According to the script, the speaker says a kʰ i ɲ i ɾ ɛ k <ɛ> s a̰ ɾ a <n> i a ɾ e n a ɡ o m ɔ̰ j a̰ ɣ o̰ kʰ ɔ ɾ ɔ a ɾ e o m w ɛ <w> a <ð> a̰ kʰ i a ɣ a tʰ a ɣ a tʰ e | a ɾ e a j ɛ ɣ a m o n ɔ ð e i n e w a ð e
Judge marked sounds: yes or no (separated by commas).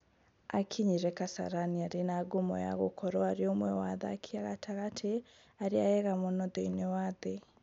no, yes, yes, yes